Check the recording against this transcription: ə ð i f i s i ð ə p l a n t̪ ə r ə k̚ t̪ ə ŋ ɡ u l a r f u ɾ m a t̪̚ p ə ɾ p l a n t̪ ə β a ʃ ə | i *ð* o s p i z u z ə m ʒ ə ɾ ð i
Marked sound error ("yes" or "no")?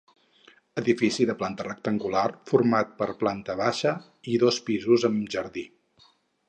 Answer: no